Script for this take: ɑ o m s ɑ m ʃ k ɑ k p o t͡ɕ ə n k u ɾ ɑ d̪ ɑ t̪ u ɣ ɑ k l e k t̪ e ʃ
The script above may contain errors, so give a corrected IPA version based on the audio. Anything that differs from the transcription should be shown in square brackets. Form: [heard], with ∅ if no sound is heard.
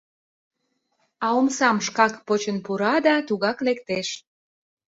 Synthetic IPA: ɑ o m s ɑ m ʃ k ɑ k p o t͡ɕ ə n [p] u ɾ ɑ d̪ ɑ t̪ u ɣ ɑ k l e k t̪ e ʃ

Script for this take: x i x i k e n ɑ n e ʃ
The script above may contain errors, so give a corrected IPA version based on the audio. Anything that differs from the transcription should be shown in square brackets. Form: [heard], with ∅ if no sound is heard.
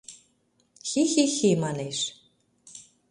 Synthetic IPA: x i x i [x] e [m] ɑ n e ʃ

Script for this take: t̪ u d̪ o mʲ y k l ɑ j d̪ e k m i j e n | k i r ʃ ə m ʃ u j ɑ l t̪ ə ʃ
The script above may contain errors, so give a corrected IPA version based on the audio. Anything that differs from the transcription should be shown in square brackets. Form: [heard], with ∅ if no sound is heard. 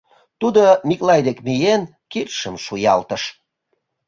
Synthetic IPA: t̪ u d̪ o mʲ [i] k l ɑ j d̪ e k m i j e n | k i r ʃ ə m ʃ u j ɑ l t̪ ə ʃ

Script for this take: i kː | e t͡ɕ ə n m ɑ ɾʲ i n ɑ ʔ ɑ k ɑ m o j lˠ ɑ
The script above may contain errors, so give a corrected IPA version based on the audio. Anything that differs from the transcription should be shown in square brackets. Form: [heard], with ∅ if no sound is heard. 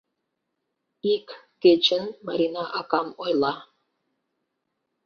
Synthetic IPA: i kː | e t͡ɕ ə n m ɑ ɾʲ i n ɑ ʔ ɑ k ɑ m o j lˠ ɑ

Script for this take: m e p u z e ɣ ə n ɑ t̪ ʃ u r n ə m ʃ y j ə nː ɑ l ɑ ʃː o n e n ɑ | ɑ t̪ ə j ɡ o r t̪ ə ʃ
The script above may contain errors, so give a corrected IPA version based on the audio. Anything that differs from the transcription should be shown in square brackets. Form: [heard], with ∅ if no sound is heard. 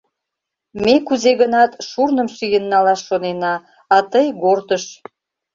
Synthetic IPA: m e [k] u z e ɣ ə n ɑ t̪ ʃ u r n ə m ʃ y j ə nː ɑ l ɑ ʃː o n e n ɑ | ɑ t̪ ə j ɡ o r t̪ ə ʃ

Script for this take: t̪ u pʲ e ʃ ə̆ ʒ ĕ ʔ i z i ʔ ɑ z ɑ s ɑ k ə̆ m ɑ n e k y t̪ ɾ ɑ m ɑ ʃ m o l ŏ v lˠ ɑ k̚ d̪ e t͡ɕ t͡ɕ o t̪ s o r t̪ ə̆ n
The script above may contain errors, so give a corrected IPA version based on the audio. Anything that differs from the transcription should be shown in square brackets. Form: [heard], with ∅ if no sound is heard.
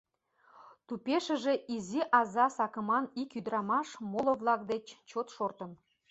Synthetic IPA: t̪ u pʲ e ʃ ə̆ ʒ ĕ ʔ i z i ʔ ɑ z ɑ s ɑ k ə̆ m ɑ n [i] k y [d̪] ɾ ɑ m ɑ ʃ m o l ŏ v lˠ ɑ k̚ d̪ e t͡ɕ t͡ɕ o t̪ [ʃ] o r t̪ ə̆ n

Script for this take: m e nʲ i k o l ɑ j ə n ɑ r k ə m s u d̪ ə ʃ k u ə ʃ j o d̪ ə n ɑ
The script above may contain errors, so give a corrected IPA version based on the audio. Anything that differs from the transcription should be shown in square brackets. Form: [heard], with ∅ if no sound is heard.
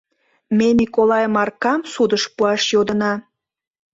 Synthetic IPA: m e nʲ i k o l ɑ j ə [m] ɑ r k [ɑ] m s u d̪ ə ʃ [p] u [ɑ] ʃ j o d̪ ə n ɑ

